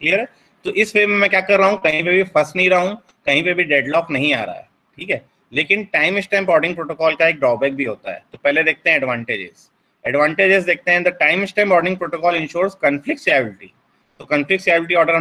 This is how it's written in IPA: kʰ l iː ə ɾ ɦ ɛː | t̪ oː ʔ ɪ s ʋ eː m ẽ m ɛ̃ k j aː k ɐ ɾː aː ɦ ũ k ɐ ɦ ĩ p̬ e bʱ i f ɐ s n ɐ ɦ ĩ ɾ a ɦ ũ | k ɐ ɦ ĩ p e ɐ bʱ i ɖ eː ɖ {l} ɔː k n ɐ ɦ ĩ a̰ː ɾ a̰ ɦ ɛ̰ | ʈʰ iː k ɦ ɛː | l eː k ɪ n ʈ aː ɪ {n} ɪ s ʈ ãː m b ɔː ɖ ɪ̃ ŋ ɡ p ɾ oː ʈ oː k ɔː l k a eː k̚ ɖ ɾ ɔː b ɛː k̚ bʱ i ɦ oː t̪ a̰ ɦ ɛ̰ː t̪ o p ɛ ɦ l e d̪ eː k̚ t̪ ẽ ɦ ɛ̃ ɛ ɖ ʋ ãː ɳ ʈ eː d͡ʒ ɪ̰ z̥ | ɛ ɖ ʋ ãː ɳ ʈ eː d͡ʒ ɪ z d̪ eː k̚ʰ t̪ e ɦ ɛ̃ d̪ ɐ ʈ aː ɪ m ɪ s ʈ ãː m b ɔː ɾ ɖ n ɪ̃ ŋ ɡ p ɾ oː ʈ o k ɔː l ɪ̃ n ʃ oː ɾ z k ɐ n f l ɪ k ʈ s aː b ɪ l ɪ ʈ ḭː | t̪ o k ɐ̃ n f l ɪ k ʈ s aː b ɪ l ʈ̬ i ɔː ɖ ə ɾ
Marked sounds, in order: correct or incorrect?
correct, incorrect: m

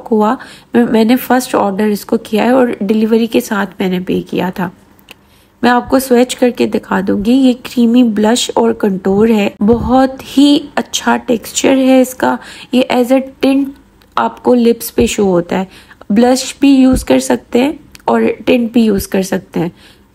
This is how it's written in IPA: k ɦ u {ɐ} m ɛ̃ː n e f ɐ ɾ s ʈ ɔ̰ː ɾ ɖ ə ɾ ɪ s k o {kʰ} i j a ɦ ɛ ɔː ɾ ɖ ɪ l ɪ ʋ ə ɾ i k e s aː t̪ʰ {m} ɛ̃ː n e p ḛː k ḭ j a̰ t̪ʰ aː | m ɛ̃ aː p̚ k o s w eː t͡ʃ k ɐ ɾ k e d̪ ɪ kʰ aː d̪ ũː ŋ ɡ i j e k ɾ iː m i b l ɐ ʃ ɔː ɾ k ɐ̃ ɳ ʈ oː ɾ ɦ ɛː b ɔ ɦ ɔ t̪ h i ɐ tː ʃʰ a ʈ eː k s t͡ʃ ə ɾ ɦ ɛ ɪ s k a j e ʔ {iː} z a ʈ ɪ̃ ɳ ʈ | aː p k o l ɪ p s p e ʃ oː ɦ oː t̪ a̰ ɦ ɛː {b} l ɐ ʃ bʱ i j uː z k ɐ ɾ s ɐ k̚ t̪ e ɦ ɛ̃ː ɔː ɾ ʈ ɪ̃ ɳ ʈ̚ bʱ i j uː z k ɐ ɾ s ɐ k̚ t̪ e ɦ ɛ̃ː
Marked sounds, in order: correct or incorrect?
incorrect: a, incorrect: k, correct, incorrect: ɛː, correct

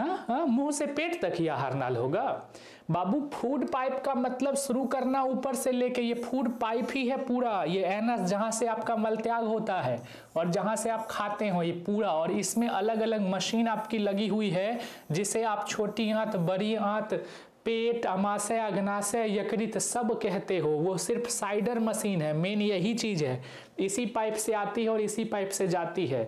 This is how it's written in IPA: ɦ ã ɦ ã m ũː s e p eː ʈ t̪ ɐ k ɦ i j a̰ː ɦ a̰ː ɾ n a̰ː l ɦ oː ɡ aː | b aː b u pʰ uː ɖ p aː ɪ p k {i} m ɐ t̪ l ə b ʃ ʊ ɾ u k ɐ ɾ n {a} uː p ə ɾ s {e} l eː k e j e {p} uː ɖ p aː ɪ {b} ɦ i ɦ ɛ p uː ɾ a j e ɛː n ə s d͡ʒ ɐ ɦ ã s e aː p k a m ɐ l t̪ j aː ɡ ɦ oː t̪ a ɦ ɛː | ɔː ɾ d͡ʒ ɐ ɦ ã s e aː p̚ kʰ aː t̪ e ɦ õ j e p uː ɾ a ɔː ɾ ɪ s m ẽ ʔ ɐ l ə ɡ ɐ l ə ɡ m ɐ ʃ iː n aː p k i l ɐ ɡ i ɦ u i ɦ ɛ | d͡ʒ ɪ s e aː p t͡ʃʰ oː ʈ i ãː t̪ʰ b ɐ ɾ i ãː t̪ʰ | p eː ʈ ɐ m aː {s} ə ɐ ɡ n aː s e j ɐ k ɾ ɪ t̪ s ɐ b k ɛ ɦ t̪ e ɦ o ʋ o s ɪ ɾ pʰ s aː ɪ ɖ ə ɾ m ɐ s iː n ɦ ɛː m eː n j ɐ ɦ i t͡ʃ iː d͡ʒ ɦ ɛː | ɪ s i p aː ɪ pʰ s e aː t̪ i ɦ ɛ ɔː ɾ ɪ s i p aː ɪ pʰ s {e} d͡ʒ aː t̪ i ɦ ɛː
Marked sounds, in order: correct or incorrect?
incorrect: a, correct, correct, incorrect: pʰ, incorrect: p, correct, correct

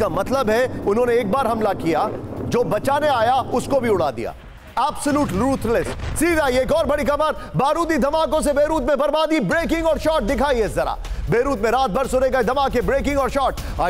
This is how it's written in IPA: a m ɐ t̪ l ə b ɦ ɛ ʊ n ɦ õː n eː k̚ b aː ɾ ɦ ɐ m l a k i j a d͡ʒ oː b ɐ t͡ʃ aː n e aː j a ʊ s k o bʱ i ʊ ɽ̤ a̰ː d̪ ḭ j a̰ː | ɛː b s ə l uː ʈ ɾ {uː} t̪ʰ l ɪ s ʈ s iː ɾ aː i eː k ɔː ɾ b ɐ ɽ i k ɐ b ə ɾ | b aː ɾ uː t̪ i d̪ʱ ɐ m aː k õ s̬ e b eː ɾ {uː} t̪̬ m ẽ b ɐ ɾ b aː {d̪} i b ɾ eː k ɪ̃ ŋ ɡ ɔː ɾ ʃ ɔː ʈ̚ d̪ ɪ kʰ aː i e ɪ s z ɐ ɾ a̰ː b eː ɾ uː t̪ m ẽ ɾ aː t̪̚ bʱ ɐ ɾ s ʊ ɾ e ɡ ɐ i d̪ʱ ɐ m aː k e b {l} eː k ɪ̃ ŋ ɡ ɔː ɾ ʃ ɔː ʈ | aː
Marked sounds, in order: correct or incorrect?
correct, correct, correct, incorrect: ɾ

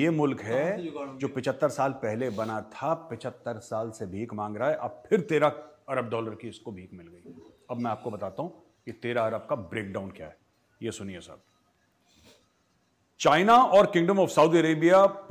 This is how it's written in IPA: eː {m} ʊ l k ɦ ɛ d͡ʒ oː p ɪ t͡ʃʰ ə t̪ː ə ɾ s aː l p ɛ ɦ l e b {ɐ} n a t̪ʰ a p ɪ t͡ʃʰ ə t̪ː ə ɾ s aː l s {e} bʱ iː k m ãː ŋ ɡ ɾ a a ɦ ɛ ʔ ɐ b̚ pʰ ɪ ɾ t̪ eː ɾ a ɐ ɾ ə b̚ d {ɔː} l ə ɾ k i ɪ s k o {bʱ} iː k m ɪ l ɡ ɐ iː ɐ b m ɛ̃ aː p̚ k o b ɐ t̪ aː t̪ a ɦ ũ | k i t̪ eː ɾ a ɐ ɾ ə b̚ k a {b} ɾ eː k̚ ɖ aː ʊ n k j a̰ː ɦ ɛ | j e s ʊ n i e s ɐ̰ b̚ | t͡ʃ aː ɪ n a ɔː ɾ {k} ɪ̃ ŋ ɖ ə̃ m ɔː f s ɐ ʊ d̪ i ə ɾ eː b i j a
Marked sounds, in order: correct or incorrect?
correct, correct, correct, correct, correct, correct, correct

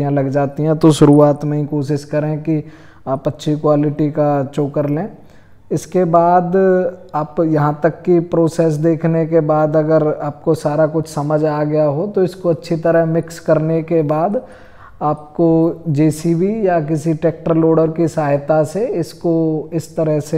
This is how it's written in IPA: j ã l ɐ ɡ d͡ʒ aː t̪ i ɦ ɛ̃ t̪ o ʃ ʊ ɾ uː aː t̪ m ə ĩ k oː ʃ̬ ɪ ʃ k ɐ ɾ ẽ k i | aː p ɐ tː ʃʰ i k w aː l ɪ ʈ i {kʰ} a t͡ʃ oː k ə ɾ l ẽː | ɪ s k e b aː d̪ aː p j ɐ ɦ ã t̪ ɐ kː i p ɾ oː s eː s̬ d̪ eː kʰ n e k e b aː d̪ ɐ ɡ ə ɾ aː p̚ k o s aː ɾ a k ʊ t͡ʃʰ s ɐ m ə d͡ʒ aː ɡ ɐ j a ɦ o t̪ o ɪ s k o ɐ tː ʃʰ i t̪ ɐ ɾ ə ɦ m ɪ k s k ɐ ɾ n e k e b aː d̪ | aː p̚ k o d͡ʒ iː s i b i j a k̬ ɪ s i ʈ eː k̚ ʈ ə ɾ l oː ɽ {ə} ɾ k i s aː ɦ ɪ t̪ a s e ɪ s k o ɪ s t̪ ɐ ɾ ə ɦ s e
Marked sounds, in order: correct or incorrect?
incorrect: k, correct

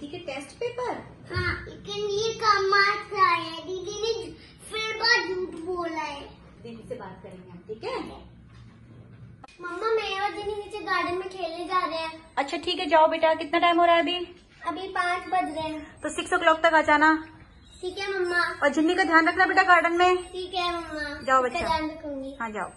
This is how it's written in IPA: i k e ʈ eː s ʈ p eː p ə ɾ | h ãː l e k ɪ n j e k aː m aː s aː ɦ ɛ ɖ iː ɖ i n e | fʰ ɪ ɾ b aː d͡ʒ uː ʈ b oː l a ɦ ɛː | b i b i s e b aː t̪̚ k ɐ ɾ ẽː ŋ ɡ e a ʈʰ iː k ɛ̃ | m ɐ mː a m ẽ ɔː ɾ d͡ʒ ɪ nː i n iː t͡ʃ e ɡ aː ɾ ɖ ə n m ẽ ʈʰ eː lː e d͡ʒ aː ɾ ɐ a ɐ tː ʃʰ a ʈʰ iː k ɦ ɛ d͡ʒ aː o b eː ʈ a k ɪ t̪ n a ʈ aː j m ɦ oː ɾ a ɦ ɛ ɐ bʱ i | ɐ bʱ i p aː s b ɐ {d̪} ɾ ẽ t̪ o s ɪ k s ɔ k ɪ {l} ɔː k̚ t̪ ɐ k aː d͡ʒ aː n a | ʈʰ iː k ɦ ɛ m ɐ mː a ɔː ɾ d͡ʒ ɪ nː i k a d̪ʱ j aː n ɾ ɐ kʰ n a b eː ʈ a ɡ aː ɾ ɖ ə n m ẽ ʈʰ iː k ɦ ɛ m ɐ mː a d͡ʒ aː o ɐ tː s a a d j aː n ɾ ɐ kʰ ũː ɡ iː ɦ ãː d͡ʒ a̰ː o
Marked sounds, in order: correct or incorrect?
correct, correct

